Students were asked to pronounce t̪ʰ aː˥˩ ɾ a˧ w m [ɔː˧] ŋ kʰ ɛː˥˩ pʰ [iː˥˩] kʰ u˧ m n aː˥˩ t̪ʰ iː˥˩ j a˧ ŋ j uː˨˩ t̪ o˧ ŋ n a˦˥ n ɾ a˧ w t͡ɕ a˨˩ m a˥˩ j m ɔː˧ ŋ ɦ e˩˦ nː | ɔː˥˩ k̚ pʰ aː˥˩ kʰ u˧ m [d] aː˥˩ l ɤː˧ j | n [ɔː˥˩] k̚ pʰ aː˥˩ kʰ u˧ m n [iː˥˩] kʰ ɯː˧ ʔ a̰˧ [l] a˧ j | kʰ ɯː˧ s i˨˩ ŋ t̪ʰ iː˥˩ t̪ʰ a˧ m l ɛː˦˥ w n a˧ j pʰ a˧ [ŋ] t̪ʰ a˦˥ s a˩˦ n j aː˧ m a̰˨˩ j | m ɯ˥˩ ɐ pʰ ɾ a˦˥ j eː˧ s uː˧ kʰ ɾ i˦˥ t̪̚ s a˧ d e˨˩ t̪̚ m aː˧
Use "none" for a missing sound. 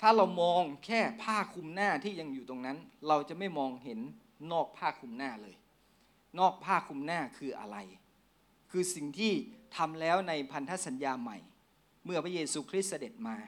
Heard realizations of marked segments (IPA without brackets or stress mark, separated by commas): ɔː˧, aː˥˩, n, ɔː˥˩, aː˥˩, ɾ, n